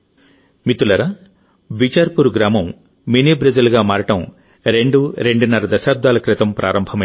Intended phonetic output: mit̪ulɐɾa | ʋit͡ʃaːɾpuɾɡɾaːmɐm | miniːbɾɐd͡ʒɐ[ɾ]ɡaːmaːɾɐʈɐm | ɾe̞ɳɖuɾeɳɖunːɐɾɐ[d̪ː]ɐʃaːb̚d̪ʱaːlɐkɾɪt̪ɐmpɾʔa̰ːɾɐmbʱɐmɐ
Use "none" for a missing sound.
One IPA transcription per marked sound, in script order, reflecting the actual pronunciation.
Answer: l, d̪

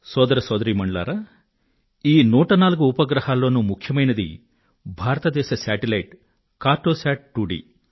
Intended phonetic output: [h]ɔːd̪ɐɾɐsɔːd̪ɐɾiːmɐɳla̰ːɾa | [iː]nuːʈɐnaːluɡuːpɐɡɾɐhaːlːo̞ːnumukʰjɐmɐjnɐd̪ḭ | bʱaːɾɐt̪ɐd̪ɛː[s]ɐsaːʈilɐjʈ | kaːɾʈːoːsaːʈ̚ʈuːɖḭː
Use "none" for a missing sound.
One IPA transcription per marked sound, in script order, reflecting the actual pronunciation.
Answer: s, iː, ʃ

